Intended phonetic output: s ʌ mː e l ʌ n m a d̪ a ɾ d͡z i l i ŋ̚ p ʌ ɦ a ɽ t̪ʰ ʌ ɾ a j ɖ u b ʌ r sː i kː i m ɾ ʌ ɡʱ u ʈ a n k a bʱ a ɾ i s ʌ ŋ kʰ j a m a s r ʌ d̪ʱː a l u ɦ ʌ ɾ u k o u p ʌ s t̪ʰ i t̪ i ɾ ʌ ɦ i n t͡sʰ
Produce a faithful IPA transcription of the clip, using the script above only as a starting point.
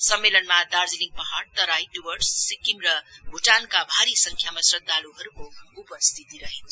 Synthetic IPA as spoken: s ʌ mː e l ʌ n m a d̪ a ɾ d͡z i l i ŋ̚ p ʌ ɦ a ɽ t̪ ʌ ɾ a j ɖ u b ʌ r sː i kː i m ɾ ʌ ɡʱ u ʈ a n k a bʱ a ɾ i s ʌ ŋ kʰ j a m a s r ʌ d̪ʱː a l u ɦ ʌ ɾ u k o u p ʌ s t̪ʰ i t̪ i ɾ ʌ ɦ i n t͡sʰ